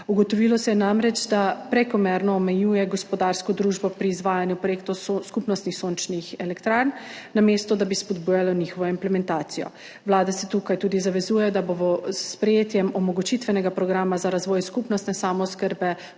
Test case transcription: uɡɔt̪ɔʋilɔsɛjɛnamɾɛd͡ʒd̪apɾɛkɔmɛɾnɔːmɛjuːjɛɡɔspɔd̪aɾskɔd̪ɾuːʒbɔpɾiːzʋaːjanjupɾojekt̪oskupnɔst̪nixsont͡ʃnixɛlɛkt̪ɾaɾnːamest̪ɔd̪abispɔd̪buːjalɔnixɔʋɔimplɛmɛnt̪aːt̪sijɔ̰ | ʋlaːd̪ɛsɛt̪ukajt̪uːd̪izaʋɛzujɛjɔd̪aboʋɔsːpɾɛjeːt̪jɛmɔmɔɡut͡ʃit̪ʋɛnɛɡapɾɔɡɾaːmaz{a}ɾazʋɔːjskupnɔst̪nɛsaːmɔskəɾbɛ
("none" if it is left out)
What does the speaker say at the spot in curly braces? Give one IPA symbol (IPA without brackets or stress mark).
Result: a